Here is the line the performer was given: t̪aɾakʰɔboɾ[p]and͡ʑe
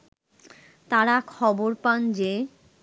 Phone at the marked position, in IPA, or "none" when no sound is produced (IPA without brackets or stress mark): p